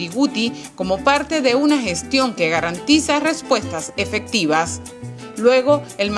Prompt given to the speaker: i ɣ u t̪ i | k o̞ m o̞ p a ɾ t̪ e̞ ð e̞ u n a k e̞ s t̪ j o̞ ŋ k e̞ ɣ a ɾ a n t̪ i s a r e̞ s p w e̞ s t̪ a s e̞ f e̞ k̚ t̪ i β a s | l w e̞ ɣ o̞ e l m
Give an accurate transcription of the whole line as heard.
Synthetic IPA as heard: i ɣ u t̪ i | k o̞ m o̞ p a ɾ t̪ e̞ ð e̞ u n a x e̞ s t̪ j o̞ ŋ k e̞ ɣ a ɾ a n t̪ i s a r e̞ s p w e̞ s t̪ a s e̞ f e̞ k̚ t̪ i β a s | l w e̞ ɣ o̞ e l m